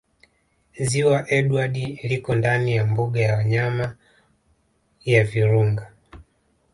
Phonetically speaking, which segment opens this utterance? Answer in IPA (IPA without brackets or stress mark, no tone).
z